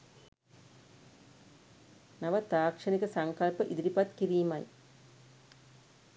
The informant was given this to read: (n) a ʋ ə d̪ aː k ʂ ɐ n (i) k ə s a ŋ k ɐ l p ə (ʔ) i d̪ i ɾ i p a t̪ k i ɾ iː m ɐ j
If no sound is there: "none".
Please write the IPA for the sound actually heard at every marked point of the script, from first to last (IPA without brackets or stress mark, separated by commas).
n, i, ʔ